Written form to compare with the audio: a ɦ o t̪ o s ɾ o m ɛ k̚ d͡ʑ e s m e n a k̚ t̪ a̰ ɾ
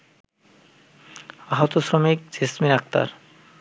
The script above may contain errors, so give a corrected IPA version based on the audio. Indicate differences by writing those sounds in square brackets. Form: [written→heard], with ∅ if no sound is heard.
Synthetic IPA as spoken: a ɦ o t̪ o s ɾ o m [ɛ→i] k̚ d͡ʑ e s m [e→i] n a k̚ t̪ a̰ ɾ